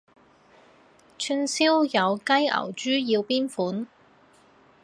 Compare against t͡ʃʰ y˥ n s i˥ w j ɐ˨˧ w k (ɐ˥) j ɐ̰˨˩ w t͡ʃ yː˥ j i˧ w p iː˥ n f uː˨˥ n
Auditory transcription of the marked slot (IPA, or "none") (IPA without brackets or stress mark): ɐ˥